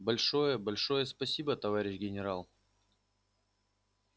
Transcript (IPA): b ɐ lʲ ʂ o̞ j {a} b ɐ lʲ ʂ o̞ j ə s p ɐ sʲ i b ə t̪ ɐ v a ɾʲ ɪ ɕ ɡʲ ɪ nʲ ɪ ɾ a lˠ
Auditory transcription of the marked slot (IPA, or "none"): ə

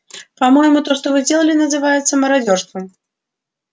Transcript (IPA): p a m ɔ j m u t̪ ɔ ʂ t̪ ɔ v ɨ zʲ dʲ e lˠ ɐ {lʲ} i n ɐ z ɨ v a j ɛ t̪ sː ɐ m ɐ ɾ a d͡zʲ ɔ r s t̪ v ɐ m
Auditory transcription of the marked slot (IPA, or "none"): lʲ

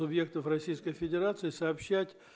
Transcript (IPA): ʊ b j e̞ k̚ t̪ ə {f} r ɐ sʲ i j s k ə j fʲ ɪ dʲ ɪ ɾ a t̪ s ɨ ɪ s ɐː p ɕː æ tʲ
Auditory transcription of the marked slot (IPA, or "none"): f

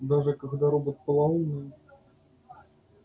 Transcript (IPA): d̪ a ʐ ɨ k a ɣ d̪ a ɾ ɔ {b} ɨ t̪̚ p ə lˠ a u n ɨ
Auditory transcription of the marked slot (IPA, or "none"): b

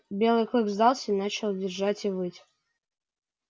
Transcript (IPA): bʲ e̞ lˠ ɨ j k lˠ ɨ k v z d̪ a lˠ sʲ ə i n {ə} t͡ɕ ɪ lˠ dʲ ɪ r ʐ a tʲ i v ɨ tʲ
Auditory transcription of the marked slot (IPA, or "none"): a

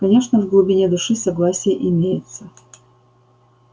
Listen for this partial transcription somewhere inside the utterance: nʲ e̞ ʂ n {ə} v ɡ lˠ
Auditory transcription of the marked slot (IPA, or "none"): ə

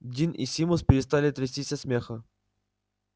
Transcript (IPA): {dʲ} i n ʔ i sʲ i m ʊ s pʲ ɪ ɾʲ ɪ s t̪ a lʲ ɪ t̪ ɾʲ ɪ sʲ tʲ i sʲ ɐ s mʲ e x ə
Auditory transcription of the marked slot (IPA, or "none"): dʲ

